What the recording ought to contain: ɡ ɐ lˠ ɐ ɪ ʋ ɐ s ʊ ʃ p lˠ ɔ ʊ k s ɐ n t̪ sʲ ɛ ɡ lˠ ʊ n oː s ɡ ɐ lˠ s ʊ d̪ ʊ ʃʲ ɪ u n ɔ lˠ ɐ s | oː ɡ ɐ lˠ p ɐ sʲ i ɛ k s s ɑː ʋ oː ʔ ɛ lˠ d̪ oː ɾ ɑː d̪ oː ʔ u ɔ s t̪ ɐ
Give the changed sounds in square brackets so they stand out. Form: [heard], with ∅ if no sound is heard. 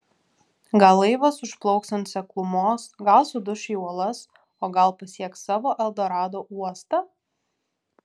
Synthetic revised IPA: ɡ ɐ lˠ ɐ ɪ ʋ ɐ s ʊ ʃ p lˠ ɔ ʊ k s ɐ n t̪ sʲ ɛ [k] lˠ ʊ [m] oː s ɡ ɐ lˠ s ʊ d̪ ʊ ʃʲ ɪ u [∅] ɔ lˠ ɐ s | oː ɡ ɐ lˠ p ɐ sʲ i ɛ k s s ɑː ʋ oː ʔ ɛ lˠ d̪ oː ɾ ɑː d̪ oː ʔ u ɔ s t̪ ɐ